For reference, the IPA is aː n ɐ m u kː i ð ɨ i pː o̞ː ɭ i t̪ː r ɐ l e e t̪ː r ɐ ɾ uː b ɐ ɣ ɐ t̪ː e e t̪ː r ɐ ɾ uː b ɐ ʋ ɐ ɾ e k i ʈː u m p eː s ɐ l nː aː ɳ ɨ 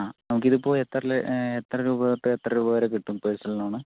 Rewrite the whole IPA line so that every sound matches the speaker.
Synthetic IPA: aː n ɐ m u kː i ð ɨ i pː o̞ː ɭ e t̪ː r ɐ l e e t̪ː r ɐ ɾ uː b ɐ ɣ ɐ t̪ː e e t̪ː r ɐ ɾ uː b ɐ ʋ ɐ ɾ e k i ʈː u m p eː s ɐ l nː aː ɳ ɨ